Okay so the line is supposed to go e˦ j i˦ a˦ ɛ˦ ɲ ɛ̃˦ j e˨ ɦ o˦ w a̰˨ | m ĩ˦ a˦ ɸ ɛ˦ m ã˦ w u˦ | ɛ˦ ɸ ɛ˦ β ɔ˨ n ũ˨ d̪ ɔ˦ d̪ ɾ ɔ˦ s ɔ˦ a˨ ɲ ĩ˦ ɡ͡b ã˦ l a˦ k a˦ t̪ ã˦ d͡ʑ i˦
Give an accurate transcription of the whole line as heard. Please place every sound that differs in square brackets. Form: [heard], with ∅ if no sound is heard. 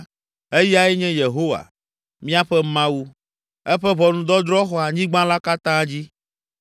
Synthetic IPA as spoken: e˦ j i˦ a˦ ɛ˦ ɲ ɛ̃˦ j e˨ ɦ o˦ w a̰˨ | m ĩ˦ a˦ ɸ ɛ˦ m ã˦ w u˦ | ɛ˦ ɸ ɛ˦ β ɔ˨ n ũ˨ d̪ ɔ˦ d̪ ɾ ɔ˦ [x] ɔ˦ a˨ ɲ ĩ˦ ɡ͡b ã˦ l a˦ k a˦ t̪ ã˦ d͡ʑ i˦